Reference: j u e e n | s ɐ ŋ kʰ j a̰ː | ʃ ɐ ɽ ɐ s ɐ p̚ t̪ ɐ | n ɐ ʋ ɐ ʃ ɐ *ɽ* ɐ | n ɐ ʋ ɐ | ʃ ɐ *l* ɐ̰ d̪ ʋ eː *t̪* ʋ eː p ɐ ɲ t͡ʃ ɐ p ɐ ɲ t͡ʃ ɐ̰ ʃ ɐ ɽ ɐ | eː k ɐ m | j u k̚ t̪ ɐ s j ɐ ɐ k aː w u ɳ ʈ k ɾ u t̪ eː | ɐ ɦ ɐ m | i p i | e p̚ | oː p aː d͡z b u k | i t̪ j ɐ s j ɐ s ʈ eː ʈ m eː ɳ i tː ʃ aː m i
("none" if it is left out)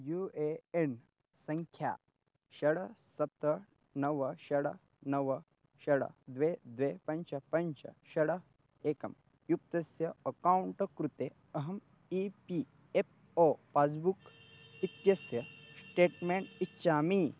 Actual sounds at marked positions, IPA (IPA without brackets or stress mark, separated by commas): ɽ, ɽ, d̪